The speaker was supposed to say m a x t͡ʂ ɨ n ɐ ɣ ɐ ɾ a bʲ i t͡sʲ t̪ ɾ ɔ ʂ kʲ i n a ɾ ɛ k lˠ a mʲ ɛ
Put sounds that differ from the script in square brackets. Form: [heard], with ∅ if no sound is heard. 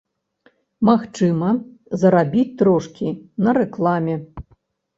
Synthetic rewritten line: m a x t͡ʂ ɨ [m] ɐ [z] ɐ ɾ a bʲ i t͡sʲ t̪ ɾ ɔ ʂ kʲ i n [ɐ] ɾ ɛ k lˠ a mʲ ɛ